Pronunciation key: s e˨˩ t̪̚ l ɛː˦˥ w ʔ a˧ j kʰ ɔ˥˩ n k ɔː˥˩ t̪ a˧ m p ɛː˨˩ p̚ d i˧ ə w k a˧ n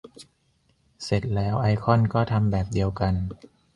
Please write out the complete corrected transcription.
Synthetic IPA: s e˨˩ t̪̚ l ɛː˦˥ w ʔ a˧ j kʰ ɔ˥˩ n k ɔː˥˩ t̪ʰ a˧ m b ɛː˨˩ p̚ d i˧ ə w k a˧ n